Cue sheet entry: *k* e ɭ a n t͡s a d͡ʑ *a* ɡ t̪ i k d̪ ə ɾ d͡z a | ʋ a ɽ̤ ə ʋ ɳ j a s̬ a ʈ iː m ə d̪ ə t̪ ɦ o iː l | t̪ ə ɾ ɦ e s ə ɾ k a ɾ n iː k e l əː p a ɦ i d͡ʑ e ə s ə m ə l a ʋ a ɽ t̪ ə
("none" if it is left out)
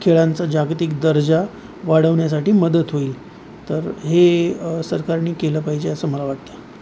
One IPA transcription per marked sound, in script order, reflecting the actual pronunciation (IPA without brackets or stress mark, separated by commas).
kʰ, a